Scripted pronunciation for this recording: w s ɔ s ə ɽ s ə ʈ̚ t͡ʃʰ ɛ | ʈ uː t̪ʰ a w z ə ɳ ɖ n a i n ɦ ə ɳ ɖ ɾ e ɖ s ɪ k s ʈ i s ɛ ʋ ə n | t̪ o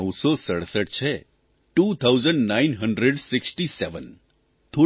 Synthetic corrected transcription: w s ɔ s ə ɽ s ə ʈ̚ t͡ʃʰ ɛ | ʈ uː t̪ʰ a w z ə ɳ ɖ n a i n ɦ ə ɳ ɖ ɾ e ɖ s ɪ k s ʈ i s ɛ ʋ ə n | t̪ʰ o